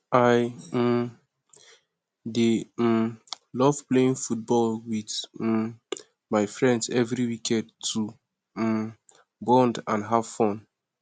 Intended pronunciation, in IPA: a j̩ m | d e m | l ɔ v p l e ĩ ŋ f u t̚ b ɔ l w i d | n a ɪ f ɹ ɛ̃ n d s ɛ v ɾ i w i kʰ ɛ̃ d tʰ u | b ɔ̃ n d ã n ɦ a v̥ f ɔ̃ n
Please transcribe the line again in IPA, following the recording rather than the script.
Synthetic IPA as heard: a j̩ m | d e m | l ɔ v p l e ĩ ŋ f u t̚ b ɔ l w i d | m a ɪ f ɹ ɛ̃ n d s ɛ v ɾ i w i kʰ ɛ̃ d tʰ u | b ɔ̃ n d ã n ɦ a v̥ f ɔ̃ n